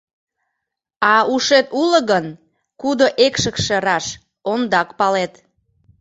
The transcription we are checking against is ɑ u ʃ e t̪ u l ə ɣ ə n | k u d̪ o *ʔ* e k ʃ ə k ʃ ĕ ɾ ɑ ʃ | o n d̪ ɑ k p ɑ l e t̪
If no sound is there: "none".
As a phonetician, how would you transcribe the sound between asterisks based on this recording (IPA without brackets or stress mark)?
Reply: ʔ